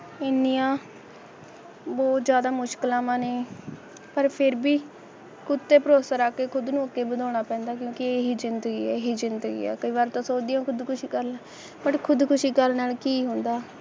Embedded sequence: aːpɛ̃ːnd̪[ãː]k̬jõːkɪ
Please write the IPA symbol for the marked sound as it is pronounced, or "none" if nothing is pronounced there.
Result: aː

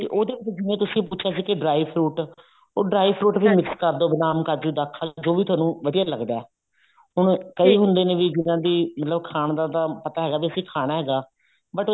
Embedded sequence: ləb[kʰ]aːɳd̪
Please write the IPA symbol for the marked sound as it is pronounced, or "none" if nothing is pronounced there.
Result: kʰ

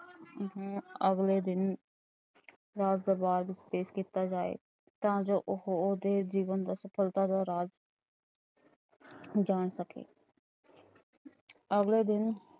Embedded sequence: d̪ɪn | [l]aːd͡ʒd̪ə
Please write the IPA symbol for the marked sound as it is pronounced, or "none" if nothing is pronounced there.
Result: ɾ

